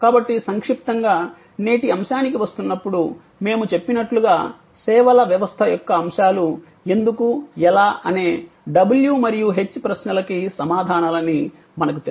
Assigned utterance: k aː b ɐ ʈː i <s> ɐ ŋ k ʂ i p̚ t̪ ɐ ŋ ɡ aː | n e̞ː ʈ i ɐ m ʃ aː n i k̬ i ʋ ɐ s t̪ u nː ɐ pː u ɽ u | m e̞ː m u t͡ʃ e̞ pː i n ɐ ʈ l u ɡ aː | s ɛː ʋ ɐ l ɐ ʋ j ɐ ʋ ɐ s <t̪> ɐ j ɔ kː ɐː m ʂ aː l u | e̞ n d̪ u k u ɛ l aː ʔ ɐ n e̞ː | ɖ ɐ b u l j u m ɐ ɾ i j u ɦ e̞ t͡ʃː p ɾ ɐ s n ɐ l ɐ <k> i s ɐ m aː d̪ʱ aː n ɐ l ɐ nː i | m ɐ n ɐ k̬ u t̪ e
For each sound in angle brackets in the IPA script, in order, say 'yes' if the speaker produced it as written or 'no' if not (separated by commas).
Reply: yes, no, yes